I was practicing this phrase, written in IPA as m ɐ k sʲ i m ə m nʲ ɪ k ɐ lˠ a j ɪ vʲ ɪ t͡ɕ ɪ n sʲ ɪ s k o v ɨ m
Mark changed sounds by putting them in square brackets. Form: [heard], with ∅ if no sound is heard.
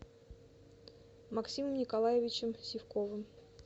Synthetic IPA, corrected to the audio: m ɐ k sʲ i m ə m nʲ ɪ k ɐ lˠ a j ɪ vʲ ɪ t͡ɕ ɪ [m] sʲ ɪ [f] k o v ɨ m